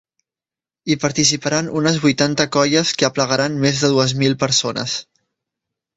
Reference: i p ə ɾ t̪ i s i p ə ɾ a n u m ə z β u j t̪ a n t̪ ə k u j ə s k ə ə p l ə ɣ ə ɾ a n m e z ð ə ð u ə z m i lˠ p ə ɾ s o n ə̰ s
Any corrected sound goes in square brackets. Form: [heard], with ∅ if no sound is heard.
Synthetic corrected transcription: i p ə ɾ t̪ i s i p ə ɾ a n u [n] ə z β u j t̪ a n t̪ ə k [ɔ] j ə s k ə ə p l ə ɣ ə ɾ a n m e z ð ə ð u ə z m i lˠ p ə ɾ s o n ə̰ s